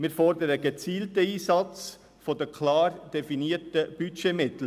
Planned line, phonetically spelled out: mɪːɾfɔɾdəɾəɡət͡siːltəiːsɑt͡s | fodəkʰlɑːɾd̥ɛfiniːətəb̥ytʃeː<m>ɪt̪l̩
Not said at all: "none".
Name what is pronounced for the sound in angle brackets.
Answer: m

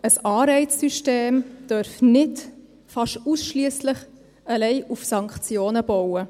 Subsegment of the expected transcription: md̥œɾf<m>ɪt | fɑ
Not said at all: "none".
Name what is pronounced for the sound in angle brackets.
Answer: n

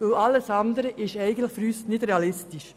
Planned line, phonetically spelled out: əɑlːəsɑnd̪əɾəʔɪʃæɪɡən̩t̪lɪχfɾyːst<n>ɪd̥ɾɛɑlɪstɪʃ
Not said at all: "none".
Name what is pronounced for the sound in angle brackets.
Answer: n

